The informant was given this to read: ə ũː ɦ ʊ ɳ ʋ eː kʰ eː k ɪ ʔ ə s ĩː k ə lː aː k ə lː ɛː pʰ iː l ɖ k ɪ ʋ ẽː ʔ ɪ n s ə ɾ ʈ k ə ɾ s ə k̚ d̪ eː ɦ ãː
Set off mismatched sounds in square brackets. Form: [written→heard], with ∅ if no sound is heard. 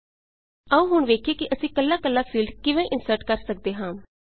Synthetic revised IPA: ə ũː ɦ ʊ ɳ ʋ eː kʰ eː k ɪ ʔ ə s ĩː k ə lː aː k ə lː [ɛː→aː] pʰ iː l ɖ k ɪ ʋ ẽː ʔ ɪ n s ə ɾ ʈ k ə ɾ s ə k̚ d̪ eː ɦ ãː

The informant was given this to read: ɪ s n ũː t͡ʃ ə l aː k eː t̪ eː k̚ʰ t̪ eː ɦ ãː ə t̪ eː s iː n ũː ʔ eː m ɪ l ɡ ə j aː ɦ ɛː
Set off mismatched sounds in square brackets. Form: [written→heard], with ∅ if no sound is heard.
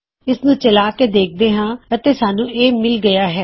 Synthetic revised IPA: ɪ s n ũː t͡ʃ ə l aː k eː [t̪→d̪] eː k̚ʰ [t̪→d̪] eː ɦ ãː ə t̪ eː s [iː→aː] n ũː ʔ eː m ɪ l ɡ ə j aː ɦ ɛː

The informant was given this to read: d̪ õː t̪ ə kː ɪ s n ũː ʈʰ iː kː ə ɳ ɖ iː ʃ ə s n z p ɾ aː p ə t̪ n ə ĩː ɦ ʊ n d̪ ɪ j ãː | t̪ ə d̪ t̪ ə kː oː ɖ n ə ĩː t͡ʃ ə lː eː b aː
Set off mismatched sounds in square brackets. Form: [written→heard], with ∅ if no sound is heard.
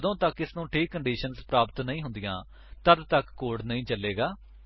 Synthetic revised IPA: d̪ õː t̪ ə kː ɪ s n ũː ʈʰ iː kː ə ɳ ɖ iː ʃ ə [s→∅] n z p ɾ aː p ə t̪ n ə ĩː ɦ ʊ n d̪ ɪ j ãː | t̪ ə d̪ t̪ ə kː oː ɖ n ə ĩː t͡ʃ ə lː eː [b→ɡ] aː

